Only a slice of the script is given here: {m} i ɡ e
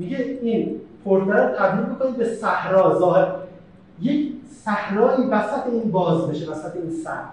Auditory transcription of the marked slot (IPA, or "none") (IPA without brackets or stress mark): m